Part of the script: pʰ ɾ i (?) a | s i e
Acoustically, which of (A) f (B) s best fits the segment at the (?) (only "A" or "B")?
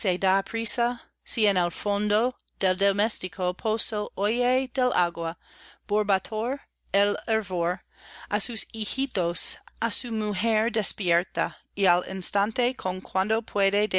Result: B